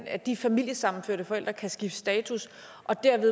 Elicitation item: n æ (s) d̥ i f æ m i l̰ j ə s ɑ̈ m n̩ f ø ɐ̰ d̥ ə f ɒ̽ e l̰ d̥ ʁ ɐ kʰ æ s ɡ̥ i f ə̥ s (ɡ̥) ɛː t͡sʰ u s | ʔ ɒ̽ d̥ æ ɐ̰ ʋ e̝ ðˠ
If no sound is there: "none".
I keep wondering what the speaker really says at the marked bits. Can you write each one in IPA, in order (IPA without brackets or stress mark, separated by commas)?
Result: none, d̥